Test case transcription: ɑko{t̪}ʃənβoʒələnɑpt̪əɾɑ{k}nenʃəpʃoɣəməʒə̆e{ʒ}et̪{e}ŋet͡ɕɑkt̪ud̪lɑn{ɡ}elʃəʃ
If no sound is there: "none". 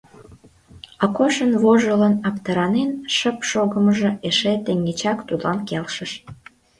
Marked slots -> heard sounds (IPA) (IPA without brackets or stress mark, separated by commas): none, none, ʃ, e, k